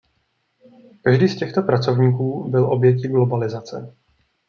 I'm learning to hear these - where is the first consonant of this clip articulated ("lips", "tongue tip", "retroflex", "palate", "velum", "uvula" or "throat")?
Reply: velum